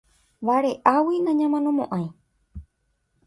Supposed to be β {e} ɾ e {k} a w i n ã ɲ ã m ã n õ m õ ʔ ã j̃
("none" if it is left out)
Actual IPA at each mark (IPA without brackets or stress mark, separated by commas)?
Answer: a, ʔ